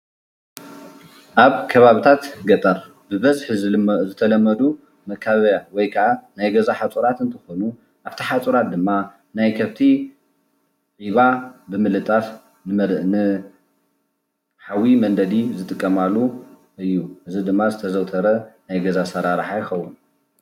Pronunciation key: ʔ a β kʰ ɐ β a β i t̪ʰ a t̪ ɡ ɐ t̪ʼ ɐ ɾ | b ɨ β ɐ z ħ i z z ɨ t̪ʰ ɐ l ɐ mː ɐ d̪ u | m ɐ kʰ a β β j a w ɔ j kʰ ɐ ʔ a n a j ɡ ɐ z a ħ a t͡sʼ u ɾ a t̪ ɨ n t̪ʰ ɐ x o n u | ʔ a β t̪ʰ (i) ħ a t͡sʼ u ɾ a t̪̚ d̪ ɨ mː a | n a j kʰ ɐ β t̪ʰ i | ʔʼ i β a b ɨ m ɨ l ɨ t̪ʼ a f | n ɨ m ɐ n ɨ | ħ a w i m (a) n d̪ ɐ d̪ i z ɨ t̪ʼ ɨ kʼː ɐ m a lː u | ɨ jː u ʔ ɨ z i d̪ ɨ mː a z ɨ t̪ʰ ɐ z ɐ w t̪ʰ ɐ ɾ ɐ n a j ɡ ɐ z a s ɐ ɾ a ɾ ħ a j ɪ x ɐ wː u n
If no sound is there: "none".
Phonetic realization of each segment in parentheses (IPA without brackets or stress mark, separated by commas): i, ɐ